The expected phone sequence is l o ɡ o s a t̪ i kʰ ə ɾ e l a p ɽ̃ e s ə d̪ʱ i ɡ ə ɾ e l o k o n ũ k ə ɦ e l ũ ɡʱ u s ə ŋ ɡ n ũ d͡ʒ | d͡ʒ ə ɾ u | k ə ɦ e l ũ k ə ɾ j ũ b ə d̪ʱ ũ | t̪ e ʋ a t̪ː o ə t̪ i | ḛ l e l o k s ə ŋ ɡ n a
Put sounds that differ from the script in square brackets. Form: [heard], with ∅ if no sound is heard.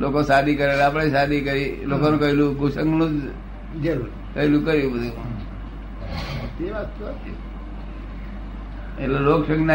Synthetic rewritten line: l o [k] o s a [d̪] i [k] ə ɾ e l a p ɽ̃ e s [a] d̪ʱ i [k] ə ɾ [i] l o k o n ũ k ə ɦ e l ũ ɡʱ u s ə ŋ ɡ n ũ d͡ʒ | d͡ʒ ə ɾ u | k ə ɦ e l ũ k ə ɾ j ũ b ə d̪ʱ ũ | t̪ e ʋ a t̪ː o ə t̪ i | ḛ l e l o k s ə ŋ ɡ n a